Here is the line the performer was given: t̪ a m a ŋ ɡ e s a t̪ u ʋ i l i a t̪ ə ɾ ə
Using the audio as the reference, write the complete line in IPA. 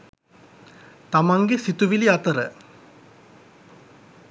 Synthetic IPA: t̪ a m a ŋ ɡ e s i t̪ u ʋ i l i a t̪ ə ɾ ə